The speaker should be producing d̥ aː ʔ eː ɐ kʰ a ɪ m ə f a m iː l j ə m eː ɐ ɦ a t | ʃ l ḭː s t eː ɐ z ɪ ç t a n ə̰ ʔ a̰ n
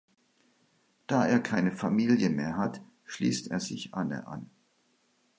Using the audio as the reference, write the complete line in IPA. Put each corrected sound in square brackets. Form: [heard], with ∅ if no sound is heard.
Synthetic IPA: d̥ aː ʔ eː ɐ kʰ a ɪ [n] ə f a m iː l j ə m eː ɐ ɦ a t | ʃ l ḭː s t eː ɐ z ɪ ç [ʔ] a n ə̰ ʔ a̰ n